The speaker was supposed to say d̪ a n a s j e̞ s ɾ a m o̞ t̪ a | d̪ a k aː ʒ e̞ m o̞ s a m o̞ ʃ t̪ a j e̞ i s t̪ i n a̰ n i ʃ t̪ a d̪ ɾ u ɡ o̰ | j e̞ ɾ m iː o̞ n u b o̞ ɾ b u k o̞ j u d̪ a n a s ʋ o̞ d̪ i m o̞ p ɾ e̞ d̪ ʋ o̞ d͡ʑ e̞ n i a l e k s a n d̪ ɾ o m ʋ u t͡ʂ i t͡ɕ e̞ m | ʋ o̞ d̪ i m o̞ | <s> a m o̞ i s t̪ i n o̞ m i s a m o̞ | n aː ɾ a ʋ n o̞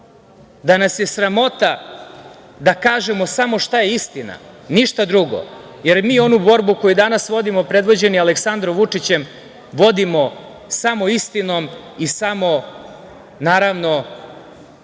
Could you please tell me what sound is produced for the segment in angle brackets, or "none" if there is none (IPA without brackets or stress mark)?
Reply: s